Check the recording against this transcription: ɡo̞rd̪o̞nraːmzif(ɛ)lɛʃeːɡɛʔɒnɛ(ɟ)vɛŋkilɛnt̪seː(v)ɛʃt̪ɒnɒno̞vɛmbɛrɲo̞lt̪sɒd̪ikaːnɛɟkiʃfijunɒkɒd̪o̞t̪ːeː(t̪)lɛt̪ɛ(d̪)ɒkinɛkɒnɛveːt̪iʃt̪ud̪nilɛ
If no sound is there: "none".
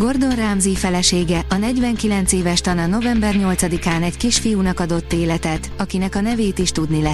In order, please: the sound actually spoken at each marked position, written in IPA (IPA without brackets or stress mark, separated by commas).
ɛ, ɟ, v, none, t̪